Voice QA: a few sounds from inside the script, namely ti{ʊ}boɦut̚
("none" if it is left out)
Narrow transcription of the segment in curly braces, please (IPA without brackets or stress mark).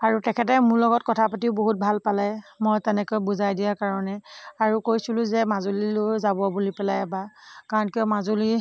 ʊ